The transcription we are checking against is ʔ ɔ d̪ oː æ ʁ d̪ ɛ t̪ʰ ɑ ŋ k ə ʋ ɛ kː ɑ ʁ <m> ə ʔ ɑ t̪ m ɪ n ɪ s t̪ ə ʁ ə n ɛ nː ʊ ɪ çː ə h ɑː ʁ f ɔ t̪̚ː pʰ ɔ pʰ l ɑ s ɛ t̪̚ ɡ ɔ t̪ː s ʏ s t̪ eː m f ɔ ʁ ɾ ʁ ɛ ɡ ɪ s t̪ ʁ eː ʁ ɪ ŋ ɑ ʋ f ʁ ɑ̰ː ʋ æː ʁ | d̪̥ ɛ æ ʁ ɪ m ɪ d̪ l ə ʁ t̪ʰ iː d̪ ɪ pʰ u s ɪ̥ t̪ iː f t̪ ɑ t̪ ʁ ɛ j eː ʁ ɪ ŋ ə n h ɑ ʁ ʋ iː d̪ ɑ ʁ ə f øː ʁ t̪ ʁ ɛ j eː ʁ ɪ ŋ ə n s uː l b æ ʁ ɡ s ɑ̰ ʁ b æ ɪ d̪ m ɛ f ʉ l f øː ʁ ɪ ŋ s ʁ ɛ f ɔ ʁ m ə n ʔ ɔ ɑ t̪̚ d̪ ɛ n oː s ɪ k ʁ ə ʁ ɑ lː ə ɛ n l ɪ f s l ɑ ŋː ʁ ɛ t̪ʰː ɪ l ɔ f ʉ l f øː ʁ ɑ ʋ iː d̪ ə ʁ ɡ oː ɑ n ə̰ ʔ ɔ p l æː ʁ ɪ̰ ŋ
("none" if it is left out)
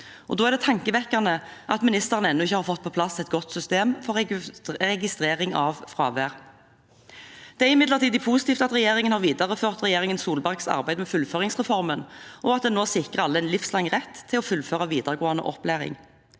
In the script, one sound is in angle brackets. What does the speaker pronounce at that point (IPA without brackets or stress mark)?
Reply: n